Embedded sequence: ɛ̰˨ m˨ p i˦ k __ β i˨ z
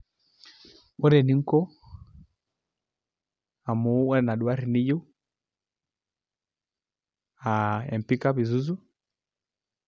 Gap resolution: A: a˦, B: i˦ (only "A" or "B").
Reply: A